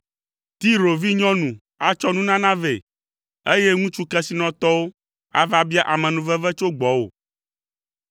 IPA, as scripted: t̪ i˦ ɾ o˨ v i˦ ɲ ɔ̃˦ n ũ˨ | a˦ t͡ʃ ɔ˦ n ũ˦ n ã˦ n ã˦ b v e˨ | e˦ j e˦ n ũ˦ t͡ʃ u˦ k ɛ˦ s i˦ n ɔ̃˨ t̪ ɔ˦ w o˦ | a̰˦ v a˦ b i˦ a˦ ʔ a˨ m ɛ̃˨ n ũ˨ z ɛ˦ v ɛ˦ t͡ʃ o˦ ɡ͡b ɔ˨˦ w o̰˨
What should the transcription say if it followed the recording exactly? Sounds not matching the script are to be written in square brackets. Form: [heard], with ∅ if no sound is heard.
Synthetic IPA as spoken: t̪ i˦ ɾ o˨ v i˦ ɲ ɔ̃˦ n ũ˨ | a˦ t͡ʃ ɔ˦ n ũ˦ n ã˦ n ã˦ [∅] v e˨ | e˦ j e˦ [ŋ] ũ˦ t͡ʃ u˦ k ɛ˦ s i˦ n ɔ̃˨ t̪ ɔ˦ w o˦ | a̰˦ v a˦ b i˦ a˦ ʔ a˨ m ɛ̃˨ n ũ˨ [v] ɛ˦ v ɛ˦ t͡ʃ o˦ ɡ͡b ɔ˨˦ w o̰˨